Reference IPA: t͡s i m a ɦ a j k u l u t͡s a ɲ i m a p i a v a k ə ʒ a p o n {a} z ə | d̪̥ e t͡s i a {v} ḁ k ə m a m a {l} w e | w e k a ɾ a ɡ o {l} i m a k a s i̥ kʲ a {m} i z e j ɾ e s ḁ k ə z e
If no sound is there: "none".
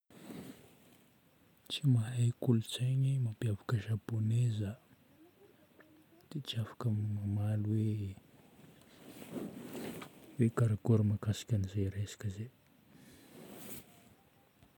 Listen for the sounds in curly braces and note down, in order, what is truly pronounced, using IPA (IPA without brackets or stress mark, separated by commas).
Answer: e, f, l, ɾ, n